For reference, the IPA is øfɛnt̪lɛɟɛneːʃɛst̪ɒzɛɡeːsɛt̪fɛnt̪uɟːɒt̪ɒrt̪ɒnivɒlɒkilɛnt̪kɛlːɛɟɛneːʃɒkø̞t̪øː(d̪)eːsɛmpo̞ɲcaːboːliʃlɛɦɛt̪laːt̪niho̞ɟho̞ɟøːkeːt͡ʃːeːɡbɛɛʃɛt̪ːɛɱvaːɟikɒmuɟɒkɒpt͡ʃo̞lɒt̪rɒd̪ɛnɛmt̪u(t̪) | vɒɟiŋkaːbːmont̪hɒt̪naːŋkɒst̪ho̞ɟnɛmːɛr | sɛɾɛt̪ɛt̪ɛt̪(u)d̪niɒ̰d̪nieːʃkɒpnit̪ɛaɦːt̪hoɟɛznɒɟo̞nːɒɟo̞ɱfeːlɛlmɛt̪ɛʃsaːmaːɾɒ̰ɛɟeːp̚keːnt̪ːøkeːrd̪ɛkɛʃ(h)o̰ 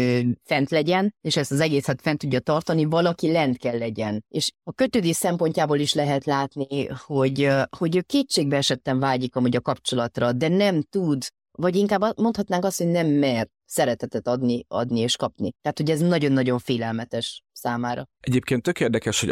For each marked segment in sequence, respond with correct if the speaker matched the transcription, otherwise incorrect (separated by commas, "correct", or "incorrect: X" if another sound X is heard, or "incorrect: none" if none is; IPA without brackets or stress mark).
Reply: correct, incorrect: d̪, incorrect: ɒ, correct